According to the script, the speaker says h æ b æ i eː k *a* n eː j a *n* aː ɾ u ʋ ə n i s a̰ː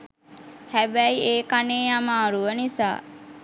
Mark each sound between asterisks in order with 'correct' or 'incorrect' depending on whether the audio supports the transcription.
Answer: correct, incorrect

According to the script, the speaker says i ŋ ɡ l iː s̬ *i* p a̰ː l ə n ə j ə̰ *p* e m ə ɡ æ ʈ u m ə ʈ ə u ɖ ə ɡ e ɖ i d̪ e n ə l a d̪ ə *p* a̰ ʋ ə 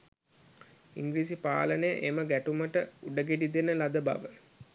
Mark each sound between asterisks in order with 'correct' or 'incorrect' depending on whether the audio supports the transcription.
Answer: correct, incorrect, incorrect

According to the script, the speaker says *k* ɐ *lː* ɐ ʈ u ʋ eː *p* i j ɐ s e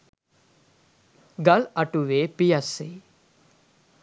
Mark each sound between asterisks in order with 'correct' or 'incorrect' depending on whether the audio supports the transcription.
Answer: incorrect, incorrect, correct

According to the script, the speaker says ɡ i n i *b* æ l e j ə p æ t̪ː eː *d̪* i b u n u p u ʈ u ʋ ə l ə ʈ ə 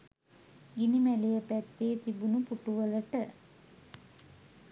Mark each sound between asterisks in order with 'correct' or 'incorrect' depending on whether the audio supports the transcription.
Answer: incorrect, incorrect

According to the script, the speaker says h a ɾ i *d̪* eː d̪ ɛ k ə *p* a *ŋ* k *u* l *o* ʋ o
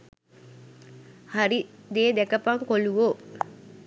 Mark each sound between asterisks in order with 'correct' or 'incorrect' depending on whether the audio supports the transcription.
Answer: correct, correct, correct, incorrect, incorrect

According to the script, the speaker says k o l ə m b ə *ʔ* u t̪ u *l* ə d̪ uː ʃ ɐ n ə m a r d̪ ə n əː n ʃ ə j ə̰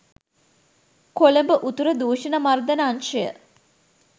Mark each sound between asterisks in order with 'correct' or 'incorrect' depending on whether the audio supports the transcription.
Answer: correct, incorrect

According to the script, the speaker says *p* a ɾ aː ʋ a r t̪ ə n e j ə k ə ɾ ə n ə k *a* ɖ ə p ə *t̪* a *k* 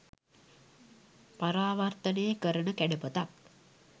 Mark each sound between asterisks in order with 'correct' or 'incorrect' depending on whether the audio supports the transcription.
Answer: correct, incorrect, correct, correct

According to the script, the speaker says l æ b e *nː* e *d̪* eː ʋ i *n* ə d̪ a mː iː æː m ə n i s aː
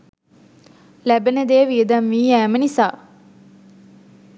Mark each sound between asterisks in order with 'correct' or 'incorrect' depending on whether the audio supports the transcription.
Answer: incorrect, correct, incorrect

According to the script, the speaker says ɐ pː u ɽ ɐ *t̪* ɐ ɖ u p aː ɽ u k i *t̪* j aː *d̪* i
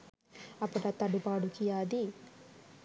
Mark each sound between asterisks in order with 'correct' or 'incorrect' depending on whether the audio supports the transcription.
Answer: correct, incorrect, correct

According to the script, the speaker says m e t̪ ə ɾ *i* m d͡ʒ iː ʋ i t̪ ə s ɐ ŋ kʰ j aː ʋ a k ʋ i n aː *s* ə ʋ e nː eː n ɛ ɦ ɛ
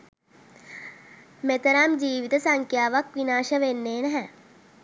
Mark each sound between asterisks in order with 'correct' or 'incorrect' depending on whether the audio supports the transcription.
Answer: incorrect, incorrect

